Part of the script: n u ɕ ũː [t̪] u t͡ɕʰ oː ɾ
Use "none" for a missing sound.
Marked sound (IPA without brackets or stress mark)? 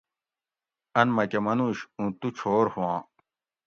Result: t̪